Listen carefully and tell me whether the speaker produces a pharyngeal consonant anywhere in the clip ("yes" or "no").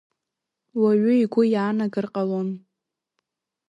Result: no